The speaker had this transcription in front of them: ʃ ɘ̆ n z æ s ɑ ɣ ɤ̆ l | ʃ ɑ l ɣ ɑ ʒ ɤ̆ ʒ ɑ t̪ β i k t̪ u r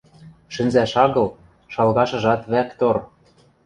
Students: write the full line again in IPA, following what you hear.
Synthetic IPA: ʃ ɘ̆ n z æ ʃ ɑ ɣ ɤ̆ l | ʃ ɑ l ɣ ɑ ʃ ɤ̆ ʒ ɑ t̪ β æ k t̪ o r